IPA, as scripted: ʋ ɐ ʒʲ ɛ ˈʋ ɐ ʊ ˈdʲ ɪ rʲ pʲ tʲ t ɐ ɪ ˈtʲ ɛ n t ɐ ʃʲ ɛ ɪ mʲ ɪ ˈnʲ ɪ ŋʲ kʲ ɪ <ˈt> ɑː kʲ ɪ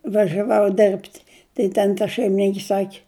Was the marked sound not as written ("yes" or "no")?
yes